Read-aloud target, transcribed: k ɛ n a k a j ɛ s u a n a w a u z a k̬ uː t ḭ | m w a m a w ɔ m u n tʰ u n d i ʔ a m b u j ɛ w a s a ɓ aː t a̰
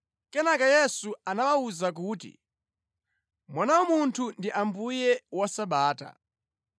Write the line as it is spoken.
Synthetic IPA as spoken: k ɛ n a k a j ɛ s u a n a w a u z a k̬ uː t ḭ | m w a n a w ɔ m u n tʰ u n d i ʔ a m b u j ɛ w a s a ɓ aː t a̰